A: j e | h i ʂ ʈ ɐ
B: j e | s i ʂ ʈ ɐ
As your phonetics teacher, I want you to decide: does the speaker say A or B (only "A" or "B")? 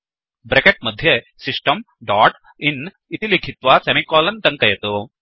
B